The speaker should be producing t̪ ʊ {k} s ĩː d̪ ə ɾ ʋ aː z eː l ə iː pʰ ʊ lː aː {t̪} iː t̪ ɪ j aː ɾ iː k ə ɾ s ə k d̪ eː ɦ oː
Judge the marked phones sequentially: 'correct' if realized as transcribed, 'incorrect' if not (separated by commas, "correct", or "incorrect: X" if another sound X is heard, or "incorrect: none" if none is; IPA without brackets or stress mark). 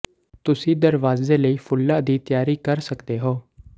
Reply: incorrect: none, incorrect: d̪